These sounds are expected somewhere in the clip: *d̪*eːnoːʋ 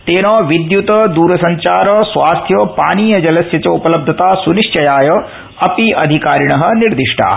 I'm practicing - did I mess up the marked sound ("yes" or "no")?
yes